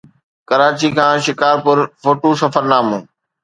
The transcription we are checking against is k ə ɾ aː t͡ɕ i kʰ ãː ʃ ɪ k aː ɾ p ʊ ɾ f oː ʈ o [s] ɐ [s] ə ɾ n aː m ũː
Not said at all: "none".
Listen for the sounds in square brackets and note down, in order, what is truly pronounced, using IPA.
s, f

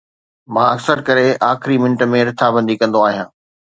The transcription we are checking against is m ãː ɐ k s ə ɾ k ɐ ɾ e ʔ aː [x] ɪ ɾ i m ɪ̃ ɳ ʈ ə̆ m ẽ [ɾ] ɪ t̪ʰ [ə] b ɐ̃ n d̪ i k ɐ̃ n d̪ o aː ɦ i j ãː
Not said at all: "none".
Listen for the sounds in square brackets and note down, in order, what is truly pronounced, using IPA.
x, ɾ, a

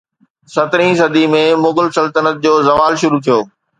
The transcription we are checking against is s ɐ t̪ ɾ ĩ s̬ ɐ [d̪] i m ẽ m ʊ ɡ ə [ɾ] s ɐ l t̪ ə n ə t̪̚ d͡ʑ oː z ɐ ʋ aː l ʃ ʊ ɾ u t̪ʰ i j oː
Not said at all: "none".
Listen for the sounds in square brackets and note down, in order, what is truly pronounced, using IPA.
d̪, l

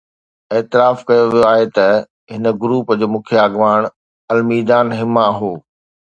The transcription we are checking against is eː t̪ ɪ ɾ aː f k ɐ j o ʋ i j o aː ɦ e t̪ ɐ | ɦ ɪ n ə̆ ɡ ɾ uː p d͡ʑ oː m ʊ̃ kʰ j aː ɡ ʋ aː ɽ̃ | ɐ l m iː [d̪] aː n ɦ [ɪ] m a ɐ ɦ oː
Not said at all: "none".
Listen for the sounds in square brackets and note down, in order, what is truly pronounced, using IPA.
d̪, ɪ

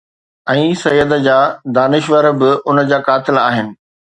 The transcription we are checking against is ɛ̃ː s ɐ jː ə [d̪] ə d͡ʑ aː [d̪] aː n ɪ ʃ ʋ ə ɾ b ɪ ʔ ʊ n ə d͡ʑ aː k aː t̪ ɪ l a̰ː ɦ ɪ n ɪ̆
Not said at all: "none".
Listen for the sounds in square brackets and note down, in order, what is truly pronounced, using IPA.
d̪, d̪

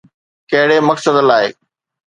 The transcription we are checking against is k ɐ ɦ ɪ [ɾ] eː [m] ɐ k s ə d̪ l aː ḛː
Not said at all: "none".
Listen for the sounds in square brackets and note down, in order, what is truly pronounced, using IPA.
ɽ, m

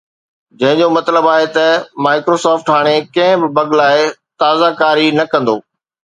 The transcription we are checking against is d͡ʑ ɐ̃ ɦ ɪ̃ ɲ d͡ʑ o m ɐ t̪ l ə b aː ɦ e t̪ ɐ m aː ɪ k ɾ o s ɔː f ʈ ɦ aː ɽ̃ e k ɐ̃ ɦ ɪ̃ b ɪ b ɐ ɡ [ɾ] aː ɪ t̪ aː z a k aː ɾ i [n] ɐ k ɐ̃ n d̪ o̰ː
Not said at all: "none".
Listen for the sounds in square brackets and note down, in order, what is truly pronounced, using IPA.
l, n

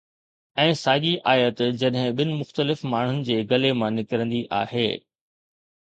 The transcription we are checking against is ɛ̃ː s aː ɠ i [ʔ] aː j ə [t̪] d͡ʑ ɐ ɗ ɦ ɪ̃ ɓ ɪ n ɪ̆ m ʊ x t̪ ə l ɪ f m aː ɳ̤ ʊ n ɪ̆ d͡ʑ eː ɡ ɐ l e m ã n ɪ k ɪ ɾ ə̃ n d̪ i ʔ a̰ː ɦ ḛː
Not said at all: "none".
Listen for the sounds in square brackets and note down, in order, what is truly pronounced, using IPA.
ʔ, t̪

